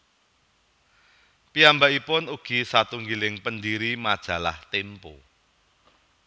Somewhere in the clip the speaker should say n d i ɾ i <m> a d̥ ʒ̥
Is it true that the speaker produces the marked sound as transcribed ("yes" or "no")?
yes